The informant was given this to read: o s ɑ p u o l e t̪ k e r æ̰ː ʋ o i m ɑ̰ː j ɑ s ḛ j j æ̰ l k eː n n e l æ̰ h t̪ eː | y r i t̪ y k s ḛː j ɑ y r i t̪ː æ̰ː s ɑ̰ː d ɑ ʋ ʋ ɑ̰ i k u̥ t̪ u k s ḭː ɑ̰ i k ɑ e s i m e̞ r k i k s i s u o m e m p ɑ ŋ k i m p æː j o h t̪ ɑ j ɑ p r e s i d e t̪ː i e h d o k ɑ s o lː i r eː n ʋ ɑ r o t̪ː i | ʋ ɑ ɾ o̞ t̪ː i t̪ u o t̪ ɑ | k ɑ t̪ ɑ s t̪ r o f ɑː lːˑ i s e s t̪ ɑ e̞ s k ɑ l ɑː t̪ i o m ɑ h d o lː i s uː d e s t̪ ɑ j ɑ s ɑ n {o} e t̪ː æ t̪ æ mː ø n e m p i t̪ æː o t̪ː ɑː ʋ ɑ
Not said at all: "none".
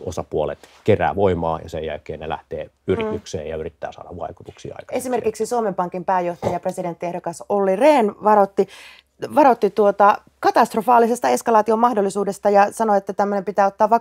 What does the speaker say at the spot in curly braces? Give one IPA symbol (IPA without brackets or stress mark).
o